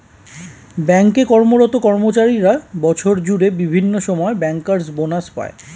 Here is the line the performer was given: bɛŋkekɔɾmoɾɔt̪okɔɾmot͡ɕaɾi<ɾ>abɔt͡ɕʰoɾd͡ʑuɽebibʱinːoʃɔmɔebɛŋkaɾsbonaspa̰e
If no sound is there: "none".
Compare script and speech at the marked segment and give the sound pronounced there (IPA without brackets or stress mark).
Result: ɾ